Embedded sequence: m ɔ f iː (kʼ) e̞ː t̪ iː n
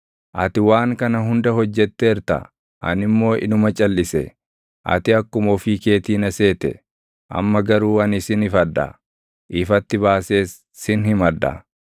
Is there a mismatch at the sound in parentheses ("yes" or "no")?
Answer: yes